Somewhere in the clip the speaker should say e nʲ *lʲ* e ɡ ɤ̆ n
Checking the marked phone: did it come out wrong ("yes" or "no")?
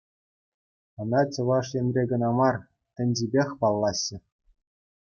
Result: yes